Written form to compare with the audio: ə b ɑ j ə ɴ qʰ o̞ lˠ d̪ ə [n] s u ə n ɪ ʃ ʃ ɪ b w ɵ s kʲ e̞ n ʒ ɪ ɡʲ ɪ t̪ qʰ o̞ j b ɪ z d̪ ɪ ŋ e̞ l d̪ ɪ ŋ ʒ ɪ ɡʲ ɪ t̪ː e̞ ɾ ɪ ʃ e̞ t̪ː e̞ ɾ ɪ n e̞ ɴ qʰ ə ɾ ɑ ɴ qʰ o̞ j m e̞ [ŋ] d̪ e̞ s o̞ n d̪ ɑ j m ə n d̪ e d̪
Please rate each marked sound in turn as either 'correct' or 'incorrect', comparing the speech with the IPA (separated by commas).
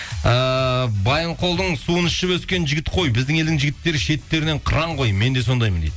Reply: incorrect, incorrect